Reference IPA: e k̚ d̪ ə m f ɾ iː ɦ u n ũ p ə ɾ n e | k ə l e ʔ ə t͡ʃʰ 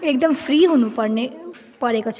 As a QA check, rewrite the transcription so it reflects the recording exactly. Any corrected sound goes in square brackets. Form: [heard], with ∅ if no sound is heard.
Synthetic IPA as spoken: e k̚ d̪ ə m f ɾ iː ɦ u n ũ p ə ɾ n e | [p] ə [ɾ] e [k] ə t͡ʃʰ